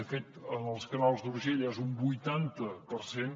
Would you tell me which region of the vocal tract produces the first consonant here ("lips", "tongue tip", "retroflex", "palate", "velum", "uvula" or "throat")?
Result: lips